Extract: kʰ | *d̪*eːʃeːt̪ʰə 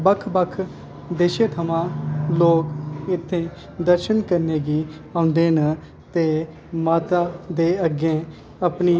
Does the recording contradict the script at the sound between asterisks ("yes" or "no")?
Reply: no